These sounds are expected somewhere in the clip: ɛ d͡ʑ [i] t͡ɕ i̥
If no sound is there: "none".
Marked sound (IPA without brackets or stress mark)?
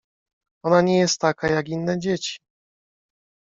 e